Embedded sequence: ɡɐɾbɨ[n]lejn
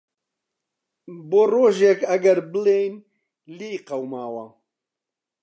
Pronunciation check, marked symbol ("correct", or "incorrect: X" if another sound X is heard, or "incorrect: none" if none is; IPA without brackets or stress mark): incorrect: none